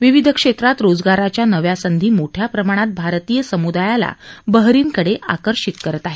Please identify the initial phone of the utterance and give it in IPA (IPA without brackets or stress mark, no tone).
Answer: ʋ